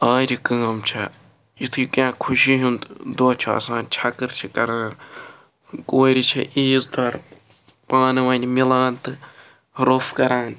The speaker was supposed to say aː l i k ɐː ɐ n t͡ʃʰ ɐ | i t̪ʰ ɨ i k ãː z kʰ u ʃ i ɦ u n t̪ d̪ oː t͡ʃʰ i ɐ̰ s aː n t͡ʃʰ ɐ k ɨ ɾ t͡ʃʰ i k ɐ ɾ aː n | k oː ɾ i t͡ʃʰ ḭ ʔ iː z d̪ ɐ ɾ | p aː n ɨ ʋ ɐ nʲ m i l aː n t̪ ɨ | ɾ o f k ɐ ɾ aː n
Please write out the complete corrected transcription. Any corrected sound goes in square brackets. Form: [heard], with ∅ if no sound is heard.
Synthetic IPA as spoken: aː [ɾ] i k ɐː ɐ [m] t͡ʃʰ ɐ | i t̪ʰ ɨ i k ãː [∅] kʰ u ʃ i ɦ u n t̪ d̪ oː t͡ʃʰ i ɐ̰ s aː n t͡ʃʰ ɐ k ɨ ɾ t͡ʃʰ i k ɐ ɾ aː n | k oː ɾ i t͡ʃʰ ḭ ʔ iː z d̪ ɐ ɾ | p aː n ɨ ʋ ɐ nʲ m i l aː n t̪ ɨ | ɾ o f k ɐ ɾ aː n